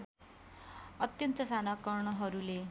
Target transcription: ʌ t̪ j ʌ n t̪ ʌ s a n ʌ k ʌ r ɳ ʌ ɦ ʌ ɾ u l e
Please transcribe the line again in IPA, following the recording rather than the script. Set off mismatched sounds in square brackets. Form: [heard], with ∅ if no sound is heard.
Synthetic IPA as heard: ʌ t̪ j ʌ n t̪ ʌ s a n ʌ k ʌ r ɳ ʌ ɦ ʌ ɾ u l e